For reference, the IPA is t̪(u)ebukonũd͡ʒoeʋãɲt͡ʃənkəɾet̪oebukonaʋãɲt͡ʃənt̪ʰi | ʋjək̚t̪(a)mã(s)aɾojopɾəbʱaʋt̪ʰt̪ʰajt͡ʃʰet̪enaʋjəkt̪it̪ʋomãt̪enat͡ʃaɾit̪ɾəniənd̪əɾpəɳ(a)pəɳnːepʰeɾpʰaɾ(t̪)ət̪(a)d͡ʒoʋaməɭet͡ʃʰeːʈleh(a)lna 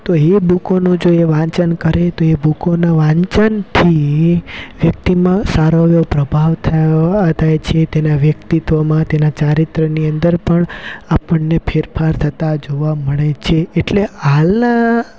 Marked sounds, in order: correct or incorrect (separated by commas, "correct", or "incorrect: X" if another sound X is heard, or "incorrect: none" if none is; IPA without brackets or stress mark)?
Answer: incorrect: o, incorrect: i, correct, correct, incorrect: t̪ʰ, correct, correct